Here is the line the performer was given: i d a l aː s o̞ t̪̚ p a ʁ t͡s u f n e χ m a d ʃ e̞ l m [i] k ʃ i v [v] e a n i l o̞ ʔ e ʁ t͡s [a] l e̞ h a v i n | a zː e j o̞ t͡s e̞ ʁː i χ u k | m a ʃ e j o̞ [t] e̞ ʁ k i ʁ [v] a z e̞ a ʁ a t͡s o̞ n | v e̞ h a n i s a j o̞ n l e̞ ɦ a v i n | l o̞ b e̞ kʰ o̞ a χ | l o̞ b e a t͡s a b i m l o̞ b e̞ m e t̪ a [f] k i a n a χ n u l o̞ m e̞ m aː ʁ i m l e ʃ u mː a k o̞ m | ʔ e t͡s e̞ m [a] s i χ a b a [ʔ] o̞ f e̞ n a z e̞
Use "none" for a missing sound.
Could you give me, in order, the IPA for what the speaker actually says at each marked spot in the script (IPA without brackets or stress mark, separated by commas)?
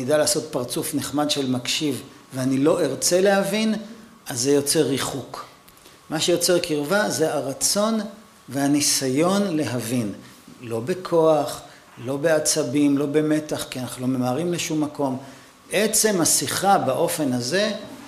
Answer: a, v, e, t͡s, v, χ, a, ʔ